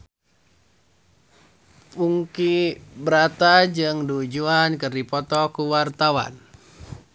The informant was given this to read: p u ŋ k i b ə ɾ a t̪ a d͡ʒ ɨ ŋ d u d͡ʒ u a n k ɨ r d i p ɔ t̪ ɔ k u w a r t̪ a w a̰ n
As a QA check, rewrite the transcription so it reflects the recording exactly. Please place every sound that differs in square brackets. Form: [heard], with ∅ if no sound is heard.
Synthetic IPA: p u ŋ k i b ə ɾ a t̪ a d͡ʒ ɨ ŋ d u d͡ʒ u a n k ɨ r d i p ɔ t̪ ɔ k u w a r t̪ a w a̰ n